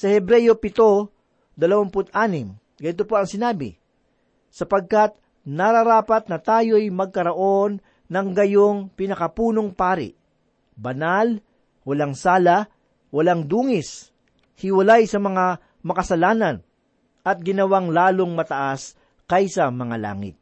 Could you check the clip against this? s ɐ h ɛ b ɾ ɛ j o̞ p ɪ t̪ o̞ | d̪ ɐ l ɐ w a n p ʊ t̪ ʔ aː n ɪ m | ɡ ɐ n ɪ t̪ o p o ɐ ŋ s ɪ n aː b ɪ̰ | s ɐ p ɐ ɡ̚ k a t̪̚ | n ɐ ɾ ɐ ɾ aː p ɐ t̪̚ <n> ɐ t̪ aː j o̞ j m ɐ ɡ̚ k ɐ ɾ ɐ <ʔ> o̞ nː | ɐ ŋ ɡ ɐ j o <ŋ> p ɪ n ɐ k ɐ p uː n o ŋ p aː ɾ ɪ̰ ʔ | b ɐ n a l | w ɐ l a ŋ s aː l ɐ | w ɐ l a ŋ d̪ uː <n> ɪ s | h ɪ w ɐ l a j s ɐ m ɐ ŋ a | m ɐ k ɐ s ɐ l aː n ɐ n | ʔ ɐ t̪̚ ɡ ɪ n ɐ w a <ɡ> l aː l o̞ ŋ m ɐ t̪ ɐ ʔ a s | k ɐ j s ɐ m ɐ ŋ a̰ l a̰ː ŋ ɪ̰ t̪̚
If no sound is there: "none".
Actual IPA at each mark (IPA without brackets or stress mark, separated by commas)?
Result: n, ʔ, ŋ, ŋ, ŋ